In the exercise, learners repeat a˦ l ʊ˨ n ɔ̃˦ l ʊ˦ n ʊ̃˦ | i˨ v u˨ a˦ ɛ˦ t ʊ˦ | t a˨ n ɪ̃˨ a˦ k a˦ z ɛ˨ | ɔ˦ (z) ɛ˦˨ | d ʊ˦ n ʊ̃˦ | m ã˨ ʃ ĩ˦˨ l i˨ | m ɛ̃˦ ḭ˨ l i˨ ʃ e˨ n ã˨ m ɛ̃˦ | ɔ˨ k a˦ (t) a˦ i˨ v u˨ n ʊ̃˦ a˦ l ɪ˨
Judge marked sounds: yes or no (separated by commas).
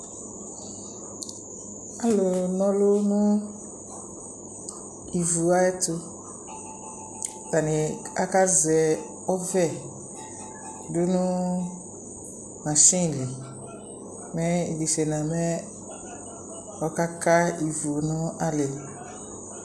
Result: no, no